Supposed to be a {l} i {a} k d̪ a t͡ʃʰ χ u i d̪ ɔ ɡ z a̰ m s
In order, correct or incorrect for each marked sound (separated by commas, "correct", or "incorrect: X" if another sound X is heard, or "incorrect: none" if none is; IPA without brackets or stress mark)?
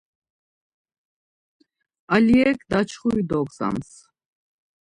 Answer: correct, incorrect: ɛ